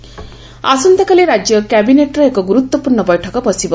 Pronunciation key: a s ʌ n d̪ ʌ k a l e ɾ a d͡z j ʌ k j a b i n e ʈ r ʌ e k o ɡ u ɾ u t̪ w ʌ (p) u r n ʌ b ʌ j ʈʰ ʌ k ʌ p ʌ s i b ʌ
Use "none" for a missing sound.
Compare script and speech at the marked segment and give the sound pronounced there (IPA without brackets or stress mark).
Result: p